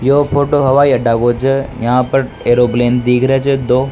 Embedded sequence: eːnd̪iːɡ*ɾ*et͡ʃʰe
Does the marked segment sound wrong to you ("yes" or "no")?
no